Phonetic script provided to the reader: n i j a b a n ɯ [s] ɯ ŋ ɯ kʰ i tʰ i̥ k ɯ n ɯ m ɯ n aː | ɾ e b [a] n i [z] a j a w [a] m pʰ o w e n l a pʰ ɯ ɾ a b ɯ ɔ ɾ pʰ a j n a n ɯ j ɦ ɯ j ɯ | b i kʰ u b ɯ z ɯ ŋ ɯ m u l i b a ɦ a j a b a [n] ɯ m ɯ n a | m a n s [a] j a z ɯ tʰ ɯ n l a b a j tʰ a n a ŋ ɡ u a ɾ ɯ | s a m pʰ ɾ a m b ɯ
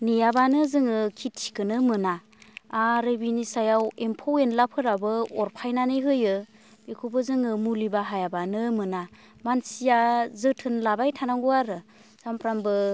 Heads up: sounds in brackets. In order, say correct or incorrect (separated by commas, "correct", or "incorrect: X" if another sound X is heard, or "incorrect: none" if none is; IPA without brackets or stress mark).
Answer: incorrect: z, incorrect: i, incorrect: s, incorrect: e, correct, incorrect: i